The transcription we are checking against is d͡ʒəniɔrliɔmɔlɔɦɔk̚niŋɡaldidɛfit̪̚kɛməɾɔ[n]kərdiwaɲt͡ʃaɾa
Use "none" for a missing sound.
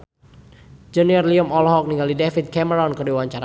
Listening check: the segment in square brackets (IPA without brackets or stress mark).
n